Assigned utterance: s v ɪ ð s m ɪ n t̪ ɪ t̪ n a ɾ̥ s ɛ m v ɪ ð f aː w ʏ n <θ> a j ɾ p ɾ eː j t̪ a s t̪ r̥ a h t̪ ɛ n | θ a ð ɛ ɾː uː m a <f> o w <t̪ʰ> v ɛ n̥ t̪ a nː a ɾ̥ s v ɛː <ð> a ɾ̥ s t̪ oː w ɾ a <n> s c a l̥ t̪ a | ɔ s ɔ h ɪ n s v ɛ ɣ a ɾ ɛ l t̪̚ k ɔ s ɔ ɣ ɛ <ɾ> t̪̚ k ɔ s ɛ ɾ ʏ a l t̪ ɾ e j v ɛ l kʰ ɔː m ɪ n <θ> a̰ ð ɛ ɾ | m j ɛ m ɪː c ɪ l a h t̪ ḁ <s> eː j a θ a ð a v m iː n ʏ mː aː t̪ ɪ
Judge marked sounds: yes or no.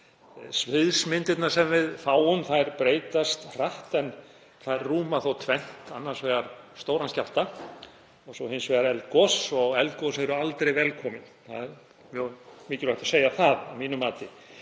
yes, no, yes, no, yes, no, yes, yes

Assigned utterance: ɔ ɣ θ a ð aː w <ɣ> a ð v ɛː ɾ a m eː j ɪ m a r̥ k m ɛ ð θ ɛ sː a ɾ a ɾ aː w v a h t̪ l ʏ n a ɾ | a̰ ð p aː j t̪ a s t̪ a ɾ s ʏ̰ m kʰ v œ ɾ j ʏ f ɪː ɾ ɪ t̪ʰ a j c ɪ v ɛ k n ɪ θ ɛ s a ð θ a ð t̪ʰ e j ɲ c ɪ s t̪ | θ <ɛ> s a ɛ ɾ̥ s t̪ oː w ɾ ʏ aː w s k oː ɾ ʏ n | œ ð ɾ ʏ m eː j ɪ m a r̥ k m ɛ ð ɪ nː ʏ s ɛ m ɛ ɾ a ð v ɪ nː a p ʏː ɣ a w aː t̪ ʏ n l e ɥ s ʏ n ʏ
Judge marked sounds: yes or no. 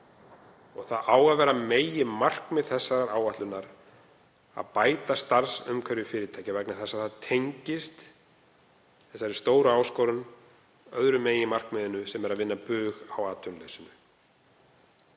yes, yes

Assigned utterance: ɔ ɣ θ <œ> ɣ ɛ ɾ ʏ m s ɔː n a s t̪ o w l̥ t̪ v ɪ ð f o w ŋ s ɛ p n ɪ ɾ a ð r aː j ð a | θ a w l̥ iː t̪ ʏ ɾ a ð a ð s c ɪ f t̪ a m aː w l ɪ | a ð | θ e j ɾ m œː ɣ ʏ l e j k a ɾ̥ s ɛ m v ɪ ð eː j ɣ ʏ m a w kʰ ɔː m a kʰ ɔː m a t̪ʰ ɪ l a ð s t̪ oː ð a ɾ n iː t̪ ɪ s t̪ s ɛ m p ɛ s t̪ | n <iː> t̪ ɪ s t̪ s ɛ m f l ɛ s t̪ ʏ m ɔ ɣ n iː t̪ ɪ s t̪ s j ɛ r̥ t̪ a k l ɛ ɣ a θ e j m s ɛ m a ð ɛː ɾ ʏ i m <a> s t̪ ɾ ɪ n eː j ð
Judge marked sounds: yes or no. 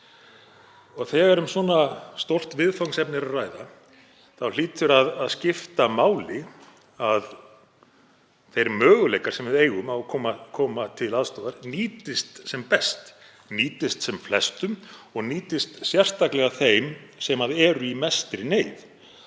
no, yes, no

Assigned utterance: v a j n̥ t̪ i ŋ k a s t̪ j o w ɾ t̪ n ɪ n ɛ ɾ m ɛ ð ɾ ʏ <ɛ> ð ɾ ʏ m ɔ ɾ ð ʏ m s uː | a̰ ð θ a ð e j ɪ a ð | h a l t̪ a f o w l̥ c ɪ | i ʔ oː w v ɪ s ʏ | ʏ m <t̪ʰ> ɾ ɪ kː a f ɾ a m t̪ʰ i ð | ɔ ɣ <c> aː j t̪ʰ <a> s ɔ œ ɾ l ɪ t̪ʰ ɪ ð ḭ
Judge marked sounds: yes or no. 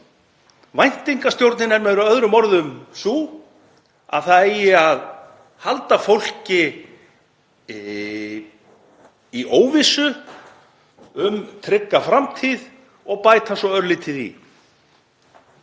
no, yes, no, yes

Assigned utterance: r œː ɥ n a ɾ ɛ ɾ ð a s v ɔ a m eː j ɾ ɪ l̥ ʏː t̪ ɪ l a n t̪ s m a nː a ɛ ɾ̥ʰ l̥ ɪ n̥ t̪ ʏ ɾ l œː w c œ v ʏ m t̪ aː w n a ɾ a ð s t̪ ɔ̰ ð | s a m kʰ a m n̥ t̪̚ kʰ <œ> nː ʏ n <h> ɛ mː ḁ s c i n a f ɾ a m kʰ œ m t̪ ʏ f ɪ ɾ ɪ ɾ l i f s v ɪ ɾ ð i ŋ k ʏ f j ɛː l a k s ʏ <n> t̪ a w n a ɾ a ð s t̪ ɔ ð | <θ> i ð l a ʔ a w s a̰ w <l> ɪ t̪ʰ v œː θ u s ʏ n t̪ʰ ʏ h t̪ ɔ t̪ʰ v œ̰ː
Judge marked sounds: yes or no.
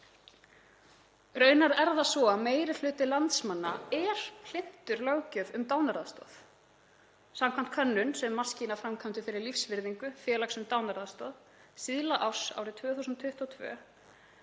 yes, no, no, no, no

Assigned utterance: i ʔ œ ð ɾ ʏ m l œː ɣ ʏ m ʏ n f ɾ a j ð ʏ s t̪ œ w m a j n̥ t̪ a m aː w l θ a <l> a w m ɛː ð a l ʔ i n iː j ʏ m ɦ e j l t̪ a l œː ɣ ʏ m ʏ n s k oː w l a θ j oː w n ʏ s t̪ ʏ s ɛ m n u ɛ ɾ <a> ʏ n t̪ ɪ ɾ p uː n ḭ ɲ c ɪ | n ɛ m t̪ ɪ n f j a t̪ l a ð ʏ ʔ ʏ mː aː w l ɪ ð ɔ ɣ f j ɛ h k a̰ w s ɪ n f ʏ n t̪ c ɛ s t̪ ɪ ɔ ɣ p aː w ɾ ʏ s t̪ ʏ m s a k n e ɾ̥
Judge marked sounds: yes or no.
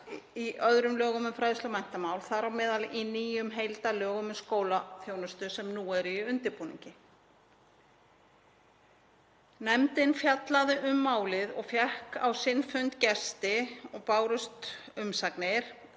no, no

